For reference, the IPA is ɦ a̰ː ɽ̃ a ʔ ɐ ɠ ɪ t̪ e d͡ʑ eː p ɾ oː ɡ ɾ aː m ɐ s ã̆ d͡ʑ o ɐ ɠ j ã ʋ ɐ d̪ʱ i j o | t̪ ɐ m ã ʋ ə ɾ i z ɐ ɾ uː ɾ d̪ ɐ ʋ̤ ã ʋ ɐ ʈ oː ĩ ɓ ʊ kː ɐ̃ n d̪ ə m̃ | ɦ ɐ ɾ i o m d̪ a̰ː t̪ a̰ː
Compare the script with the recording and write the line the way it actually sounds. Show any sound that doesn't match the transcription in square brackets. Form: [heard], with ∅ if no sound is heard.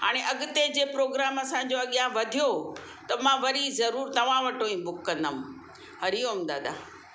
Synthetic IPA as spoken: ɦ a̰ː ɽ̃ [e] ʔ ɐ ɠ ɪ t̪ e d͡ʑ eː p ɾ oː ɡ ɾ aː m ɐ s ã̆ d͡ʑ o ɐ ɠ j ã ʋ ɐ d̪ʱ i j o | t̪ ɐ m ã ʋ [ɐ] ɾ i z ɐ ɾ uː ɾ [t̪] ɐ ʋ̤ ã ʋ ɐ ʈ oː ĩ [b] ʊ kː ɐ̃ n d̪ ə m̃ | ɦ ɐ ɾ i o m d̪ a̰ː [d̪] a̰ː